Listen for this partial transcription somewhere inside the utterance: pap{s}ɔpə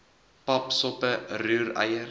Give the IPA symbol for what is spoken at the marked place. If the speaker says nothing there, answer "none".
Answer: s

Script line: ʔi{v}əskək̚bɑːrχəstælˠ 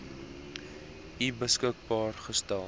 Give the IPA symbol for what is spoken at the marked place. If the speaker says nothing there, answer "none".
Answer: b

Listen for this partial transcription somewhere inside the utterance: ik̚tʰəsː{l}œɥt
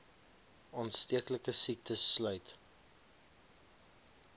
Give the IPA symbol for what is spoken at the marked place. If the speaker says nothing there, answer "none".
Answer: l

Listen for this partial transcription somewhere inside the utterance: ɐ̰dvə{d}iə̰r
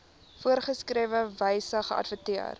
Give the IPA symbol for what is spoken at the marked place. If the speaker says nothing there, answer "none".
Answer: t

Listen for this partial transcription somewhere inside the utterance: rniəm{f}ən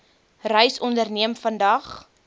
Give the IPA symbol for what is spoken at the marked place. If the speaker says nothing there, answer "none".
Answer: f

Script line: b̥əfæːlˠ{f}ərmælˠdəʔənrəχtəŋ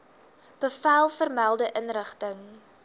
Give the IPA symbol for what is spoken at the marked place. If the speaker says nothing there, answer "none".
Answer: f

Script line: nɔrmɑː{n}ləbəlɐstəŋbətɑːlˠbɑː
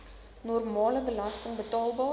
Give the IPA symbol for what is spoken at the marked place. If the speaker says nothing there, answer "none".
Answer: none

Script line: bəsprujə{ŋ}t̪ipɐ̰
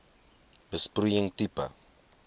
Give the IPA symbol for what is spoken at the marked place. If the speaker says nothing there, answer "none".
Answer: ŋ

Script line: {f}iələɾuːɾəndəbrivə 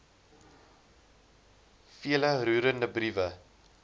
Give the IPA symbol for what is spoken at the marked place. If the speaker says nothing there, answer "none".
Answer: f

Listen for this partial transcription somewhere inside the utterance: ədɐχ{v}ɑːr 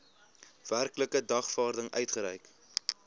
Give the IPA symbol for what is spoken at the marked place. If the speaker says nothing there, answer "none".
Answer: f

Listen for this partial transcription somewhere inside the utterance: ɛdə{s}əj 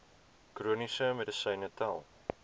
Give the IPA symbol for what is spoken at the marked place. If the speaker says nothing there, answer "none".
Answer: s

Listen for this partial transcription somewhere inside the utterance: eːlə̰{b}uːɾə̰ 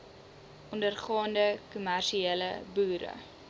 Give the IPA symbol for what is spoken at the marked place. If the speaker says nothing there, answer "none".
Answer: b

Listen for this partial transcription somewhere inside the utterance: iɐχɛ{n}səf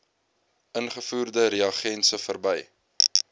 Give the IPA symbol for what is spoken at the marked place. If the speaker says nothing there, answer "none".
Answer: n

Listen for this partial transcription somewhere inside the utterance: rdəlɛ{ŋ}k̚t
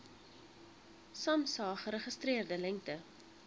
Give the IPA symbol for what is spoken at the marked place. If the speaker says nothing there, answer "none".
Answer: ŋ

